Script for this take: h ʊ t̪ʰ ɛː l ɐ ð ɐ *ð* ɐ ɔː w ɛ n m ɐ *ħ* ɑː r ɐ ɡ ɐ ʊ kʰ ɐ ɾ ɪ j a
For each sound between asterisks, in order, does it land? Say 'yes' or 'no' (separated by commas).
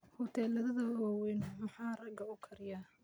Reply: yes, yes